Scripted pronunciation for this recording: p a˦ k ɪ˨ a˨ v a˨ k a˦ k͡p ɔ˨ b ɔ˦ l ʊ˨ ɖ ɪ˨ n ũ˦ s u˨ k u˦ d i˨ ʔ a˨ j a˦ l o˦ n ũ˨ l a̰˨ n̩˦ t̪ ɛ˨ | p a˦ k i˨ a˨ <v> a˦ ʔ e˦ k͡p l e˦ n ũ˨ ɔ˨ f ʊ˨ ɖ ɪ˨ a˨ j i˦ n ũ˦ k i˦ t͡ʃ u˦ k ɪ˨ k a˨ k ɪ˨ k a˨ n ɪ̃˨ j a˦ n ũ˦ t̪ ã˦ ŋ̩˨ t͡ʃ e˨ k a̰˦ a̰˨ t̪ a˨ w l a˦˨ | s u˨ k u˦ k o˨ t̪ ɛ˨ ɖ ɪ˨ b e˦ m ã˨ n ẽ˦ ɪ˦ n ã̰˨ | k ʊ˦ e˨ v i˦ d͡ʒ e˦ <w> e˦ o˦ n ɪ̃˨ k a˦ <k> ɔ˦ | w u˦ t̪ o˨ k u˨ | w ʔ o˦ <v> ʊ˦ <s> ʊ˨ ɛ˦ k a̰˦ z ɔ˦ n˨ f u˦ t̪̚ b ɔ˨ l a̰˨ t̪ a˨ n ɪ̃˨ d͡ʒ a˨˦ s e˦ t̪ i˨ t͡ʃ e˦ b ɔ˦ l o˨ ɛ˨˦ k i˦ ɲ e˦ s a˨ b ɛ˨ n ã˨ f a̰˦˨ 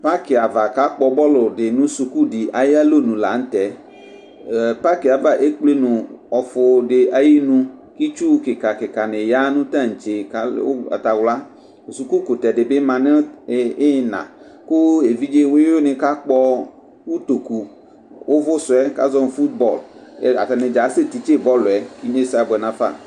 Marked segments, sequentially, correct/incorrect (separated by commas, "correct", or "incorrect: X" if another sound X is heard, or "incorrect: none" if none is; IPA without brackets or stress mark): correct, correct, incorrect: k͡p, correct, correct